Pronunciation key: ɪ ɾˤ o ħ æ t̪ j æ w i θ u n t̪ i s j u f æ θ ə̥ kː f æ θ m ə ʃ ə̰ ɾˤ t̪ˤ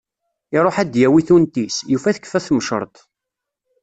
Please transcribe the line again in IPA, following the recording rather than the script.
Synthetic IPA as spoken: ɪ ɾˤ o ħ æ d̪ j æ w i θ u n t̪ i s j u f æ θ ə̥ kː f æ θ m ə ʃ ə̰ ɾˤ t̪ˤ